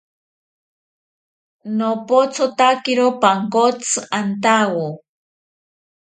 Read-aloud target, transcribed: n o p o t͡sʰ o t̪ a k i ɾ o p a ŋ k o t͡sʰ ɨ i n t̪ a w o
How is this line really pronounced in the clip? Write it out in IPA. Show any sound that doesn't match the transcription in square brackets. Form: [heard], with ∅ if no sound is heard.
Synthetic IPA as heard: n o p o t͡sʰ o t̪ a k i ɾ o p a ŋ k o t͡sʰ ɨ [a] n t̪ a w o